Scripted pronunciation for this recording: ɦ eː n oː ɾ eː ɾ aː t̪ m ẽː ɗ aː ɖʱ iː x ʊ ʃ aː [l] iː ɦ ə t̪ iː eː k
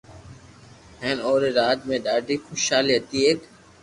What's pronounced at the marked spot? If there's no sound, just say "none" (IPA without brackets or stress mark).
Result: l